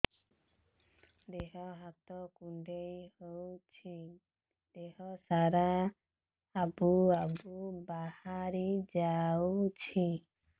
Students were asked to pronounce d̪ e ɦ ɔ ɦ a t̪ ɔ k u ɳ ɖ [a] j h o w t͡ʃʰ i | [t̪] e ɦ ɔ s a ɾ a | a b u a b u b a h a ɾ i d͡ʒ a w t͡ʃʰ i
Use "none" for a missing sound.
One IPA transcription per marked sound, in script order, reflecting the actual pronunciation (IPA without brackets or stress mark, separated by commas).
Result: e, d̪